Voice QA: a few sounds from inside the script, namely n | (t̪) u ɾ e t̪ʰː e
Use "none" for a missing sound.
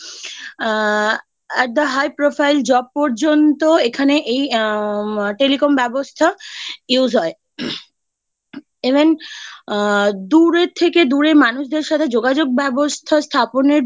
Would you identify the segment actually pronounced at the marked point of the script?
d̪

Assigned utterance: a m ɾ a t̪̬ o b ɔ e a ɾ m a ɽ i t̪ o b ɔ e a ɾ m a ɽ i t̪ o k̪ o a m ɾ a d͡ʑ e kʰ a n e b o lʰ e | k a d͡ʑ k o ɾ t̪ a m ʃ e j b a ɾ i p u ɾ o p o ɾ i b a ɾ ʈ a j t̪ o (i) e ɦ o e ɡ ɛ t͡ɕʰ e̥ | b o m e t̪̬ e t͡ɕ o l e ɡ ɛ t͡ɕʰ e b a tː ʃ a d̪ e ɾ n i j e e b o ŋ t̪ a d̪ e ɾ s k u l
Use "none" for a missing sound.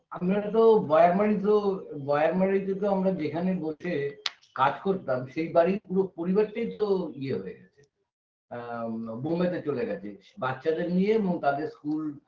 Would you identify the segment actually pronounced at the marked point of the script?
i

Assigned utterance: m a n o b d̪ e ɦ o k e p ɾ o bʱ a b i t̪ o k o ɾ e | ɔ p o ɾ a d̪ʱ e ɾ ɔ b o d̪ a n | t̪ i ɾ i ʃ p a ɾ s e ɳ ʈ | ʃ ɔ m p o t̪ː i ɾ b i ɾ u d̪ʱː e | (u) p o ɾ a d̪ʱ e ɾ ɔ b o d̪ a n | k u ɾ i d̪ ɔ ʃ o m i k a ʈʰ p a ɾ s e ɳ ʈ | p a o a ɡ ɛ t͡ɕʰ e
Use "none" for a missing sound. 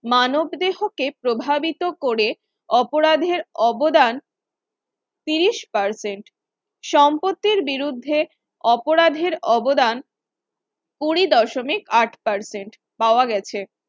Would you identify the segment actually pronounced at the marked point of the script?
ɔ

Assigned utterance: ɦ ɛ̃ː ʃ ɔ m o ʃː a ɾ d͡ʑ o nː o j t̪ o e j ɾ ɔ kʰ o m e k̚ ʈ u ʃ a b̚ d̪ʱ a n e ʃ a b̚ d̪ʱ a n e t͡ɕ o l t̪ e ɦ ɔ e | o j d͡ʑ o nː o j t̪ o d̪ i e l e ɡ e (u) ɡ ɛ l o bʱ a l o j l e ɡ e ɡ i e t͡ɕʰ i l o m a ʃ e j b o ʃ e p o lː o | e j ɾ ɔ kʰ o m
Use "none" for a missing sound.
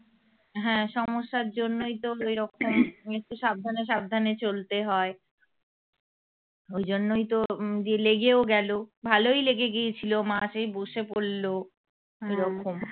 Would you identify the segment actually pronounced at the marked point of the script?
o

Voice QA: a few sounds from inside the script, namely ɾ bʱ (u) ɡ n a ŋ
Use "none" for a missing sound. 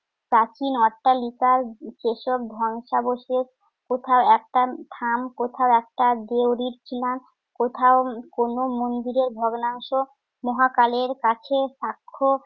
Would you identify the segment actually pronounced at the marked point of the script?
ɔ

